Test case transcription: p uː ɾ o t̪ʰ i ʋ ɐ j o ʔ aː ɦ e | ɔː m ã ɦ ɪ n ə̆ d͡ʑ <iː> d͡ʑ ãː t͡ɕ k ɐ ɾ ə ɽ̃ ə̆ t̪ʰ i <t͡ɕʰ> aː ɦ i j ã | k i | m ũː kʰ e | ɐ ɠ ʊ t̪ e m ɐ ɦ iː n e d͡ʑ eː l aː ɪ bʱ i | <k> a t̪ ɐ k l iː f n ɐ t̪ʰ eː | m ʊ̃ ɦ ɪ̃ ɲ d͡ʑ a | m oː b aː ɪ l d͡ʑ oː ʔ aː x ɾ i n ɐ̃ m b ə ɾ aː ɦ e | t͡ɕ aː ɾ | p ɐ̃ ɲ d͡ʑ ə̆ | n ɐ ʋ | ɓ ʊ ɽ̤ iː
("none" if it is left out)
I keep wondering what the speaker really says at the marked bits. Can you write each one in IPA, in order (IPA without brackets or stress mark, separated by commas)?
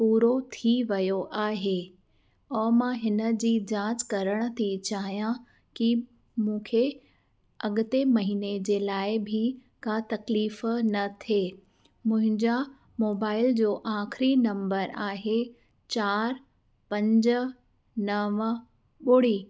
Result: iː, t͡ɕ, k